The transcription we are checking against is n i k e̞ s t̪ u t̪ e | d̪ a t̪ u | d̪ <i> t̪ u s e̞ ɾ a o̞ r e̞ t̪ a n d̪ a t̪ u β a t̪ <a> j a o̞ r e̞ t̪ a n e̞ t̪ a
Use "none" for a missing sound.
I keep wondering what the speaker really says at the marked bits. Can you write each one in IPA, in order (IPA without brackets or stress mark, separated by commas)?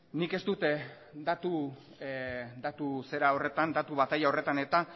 a, a